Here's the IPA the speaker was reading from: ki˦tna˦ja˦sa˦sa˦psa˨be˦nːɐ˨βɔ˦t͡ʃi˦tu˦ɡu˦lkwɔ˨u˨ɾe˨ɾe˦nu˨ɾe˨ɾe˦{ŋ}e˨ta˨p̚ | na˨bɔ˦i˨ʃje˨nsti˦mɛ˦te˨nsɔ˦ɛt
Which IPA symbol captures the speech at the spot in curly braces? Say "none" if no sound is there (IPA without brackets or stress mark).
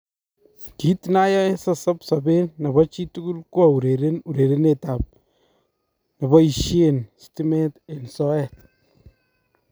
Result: n